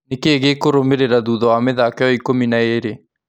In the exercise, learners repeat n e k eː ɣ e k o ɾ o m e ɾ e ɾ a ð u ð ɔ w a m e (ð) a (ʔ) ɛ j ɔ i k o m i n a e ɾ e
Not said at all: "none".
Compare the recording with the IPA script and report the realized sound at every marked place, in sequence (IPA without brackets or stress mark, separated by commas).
ð, k